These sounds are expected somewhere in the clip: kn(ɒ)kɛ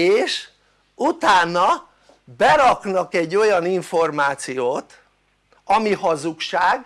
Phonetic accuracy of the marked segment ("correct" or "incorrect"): correct